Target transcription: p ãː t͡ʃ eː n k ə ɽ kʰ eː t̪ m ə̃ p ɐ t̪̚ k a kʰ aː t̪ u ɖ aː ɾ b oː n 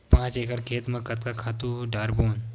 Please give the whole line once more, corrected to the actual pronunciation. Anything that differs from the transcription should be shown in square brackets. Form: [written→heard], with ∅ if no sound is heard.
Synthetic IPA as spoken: p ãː t͡ʃ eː [n→∅] k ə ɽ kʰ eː t̪ m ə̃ [p→k] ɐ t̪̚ k a kʰ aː t̪ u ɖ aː ɾ b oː n